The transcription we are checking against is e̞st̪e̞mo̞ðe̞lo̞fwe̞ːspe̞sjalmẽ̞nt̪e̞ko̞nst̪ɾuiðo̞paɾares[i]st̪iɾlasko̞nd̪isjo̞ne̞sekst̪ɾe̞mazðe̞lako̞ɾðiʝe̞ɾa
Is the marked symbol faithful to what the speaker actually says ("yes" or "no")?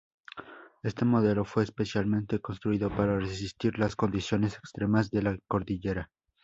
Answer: yes